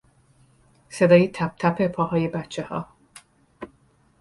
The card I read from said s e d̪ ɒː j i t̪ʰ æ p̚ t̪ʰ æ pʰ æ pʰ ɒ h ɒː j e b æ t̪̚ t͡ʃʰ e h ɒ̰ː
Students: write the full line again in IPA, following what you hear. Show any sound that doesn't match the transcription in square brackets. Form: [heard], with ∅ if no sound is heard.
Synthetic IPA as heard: s e d̪ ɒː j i t̪ʰ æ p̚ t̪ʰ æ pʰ [e] pʰ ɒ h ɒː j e b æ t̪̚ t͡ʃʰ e h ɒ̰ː

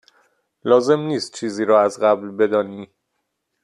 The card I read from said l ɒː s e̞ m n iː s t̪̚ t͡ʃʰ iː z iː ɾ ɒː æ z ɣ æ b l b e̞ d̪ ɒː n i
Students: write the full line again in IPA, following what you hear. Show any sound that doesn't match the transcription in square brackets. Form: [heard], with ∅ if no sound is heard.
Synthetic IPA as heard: l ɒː [z] e̞ m n iː s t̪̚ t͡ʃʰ iː z iː ɾ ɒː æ z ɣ æ b l b e̞ d̪ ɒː n i

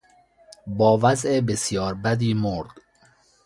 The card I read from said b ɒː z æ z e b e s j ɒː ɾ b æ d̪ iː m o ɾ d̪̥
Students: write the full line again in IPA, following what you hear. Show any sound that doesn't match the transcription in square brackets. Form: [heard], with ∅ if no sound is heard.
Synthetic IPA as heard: b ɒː [v] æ z e b e s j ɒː ɾ b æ d̪ iː m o ɾ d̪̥

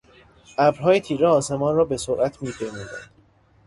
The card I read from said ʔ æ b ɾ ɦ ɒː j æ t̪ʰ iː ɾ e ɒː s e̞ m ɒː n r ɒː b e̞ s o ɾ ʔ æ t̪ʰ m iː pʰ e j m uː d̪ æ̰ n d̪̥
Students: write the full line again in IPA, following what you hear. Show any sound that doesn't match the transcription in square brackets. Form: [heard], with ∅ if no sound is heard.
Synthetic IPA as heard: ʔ æ b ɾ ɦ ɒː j [e] t̪ʰ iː ɾ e ɒː s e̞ m ɒː n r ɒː b e̞ s o ɾ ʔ æ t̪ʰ m iː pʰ e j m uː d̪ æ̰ n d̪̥

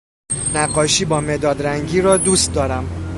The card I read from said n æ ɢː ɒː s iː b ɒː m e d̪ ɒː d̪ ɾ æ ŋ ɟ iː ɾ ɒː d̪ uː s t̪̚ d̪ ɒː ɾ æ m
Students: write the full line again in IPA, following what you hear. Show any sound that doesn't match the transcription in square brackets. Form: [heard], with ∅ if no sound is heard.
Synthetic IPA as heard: n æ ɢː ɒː [ʃ] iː b ɒː m e d̪ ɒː d̪ ɾ æ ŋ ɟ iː ɾ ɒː d̪ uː s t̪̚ d̪ ɒː ɾ æ m

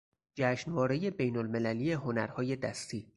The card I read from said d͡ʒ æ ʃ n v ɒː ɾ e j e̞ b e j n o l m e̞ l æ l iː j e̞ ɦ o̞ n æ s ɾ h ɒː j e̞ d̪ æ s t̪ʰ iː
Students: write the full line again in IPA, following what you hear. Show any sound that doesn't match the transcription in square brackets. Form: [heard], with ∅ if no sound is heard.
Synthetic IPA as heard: d͡ʒ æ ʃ n v ɒː ɾ e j e̞ b e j n o l m e̞ l æ l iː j e̞ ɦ o̞ n æ [∅] ɾ h ɒː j e̞ d̪ æ s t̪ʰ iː

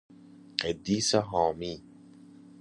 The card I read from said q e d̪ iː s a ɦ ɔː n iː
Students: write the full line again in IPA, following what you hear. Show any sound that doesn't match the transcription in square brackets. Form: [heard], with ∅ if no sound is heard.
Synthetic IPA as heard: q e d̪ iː s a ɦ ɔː [m] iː

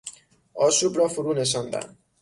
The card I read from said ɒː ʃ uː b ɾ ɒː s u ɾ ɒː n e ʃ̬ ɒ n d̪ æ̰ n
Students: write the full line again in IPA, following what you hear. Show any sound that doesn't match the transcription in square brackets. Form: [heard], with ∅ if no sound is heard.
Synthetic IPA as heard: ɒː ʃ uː b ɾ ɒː [f] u ɾ [uː] n e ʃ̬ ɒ n d̪ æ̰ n

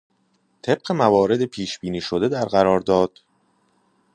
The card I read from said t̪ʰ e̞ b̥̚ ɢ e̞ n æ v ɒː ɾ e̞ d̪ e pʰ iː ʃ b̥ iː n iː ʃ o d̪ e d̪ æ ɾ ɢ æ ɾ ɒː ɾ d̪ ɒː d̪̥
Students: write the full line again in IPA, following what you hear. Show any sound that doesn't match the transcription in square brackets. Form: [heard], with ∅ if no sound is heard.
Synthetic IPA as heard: t̪ʰ e̞ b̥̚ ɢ e̞ [m] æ v ɒː ɾ e̞ d̪ e pʰ iː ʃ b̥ iː n iː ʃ o d̪ e d̪ æ ɾ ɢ æ ɾ ɒː ɾ d̪ ɒː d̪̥

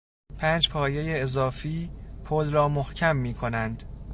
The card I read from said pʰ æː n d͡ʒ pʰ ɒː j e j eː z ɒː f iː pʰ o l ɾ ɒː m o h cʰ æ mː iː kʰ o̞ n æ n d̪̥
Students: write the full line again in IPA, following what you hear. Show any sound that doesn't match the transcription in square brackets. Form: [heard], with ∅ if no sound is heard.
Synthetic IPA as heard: pʰ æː n d͡ʒ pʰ ɒː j e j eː z ɒː f iː pʰ o l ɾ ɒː m o h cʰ æ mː iː kʰ o̞ n æ n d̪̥

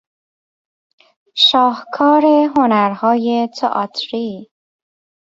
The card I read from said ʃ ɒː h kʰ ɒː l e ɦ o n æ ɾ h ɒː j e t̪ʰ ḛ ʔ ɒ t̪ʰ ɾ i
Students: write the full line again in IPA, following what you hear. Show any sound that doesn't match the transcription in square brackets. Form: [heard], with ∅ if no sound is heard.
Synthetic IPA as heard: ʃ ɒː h kʰ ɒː [ɾ] e ɦ o n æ ɾ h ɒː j e t̪ʰ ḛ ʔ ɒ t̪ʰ ɾ i

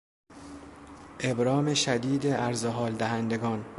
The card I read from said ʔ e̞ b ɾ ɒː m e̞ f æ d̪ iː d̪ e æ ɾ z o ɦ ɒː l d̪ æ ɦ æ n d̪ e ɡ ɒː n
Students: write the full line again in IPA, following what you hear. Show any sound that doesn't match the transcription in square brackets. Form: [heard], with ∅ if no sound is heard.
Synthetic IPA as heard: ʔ e̞ b ɾ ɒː m e̞ [ʃ] æ d̪ iː d̪ e æ ɾ z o ɦ ɒː l d̪ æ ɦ æ n d̪ e ɡ ɒː n

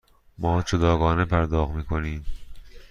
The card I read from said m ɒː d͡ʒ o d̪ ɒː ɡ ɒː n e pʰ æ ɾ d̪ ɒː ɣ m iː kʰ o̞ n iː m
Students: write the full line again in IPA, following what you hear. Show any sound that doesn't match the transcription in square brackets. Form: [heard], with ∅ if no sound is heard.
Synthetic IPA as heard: m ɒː d͡ʒ o d̪ ɒː ɡ ɒː n e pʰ æ ɾ d̪ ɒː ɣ m iː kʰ o̞ n iː m

